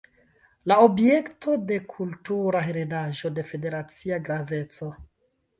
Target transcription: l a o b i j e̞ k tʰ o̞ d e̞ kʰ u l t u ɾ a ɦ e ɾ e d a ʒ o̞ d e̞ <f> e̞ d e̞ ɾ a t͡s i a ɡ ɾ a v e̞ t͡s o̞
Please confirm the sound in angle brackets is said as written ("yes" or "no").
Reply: yes